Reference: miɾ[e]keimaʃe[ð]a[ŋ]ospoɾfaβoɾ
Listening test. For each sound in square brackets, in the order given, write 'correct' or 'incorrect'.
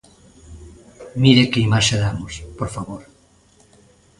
correct, correct, incorrect

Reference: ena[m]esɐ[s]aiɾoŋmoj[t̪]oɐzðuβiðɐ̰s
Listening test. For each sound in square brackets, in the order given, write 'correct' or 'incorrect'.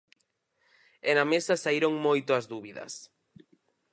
correct, correct, correct

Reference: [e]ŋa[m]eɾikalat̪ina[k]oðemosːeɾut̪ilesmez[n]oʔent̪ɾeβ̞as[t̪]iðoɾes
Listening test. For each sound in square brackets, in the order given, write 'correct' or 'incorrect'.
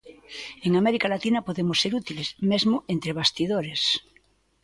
correct, correct, incorrect, incorrect, correct

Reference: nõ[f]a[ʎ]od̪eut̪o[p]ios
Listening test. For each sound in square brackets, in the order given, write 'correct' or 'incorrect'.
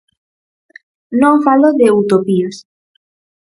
correct, incorrect, correct

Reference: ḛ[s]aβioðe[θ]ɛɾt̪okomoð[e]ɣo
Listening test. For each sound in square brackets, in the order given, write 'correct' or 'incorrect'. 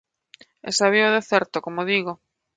correct, correct, incorrect

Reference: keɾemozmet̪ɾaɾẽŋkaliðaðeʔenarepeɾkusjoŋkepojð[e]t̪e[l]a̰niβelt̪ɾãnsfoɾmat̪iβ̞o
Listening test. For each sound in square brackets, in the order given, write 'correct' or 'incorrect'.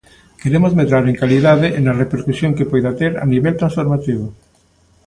incorrect, incorrect

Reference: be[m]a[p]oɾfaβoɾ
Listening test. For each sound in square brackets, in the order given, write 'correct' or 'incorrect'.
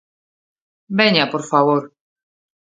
incorrect, correct

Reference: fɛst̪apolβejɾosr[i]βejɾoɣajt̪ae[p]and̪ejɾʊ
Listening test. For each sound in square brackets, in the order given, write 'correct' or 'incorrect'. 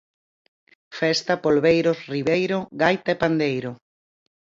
correct, correct

